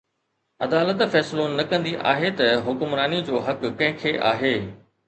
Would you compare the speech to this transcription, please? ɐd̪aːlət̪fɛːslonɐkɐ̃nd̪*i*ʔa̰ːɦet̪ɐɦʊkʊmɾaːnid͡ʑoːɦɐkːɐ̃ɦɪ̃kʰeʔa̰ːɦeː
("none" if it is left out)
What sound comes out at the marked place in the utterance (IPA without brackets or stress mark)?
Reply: i